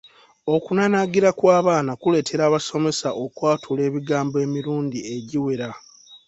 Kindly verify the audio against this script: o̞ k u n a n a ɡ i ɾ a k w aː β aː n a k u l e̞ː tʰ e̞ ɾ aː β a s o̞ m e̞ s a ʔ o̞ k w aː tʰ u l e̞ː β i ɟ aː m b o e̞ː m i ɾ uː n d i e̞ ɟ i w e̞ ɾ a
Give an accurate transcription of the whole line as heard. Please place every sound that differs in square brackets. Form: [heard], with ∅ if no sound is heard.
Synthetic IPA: o̞ k u n a n a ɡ i ɾ a k w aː β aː n a k u l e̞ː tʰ e̞ ɾ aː β a s o̞ m e̞ s a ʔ o̞ k w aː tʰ u l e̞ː β i [ɡ] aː m b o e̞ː m i ɾ uː n d i e̞ ɟ i w e̞ ɾ a